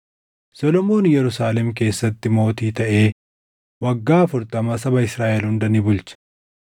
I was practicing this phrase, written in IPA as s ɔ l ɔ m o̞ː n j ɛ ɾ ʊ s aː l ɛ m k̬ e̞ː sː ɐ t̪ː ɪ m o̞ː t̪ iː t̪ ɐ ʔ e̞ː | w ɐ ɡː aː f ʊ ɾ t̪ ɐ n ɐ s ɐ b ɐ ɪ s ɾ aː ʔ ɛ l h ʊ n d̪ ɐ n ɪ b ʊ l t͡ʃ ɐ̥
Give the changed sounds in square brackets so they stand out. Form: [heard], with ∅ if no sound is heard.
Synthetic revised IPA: s ɔ l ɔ m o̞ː n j ɛ ɾ ʊ s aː l ɛ m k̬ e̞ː sː ɐ t̪ː ɪ m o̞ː t̪ iː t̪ ɐ ʔ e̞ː | w ɐ ɡː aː f ʊ ɾ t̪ ɐ [m] ɐ s ɐ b ɐ ɪ s ɾ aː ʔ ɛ l h ʊ n d̪ ɐ n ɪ b ʊ l t͡ʃ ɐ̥